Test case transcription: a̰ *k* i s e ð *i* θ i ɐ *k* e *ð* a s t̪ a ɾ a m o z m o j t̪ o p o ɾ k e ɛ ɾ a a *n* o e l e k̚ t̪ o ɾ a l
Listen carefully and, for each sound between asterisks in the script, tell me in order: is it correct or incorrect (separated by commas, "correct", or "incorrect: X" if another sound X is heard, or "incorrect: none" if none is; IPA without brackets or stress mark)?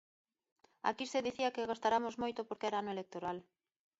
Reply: correct, correct, correct, incorrect: ɣ, correct